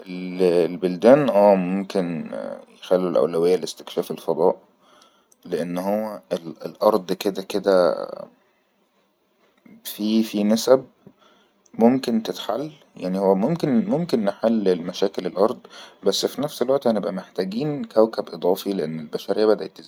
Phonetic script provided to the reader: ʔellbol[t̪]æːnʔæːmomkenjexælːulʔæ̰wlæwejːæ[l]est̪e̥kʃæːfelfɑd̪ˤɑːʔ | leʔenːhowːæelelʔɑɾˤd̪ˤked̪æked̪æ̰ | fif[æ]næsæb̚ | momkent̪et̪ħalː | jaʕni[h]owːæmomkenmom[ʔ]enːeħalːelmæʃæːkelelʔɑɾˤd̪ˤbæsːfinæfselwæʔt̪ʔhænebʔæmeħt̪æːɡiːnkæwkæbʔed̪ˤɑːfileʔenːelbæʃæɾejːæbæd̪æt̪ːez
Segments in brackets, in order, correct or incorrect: incorrect, correct, incorrect, correct, incorrect

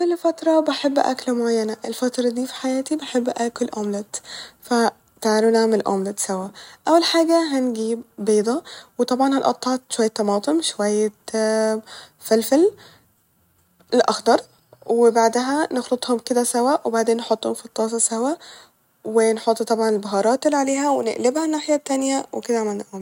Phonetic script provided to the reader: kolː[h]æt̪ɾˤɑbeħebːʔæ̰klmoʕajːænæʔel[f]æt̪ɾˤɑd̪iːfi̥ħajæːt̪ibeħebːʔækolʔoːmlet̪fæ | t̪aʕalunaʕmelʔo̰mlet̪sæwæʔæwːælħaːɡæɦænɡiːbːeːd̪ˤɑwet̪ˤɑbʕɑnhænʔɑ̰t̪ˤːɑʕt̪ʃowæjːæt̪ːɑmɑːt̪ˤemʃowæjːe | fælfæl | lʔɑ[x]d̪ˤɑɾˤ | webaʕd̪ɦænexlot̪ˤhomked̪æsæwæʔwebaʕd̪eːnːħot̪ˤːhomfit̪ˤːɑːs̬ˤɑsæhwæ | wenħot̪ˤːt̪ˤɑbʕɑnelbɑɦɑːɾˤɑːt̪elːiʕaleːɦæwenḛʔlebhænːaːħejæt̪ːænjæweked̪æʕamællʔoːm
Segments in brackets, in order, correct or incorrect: incorrect, correct, correct

